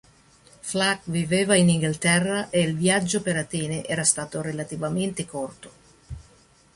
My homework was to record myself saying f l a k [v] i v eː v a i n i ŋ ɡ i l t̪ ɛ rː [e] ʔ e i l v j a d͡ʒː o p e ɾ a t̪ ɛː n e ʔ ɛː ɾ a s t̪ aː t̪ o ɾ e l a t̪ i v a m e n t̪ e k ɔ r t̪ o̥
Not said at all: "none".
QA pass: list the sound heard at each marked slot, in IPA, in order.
v, a

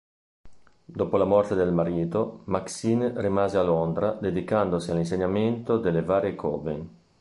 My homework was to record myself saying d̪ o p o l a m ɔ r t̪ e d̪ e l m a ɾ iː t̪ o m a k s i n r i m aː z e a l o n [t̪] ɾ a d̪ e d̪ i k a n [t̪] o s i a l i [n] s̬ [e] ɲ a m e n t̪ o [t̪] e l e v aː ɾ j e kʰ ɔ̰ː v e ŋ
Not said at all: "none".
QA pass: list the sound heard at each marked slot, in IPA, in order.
d̪, d̪, n, e, d̪

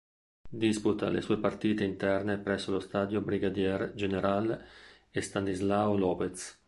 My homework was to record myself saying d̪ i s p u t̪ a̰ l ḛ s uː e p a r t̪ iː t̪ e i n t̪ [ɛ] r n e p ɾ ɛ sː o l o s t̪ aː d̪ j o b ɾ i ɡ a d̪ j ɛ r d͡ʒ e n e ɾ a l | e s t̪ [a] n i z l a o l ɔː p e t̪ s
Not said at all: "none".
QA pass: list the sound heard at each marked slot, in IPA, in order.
ɛ, a

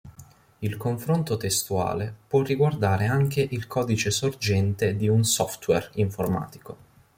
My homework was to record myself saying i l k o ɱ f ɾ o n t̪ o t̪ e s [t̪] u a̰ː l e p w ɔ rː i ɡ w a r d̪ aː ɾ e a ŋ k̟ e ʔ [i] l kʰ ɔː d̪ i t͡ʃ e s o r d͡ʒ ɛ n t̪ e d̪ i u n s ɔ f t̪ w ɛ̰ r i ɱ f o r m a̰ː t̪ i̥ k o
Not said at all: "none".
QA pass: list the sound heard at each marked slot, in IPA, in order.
t̪, i

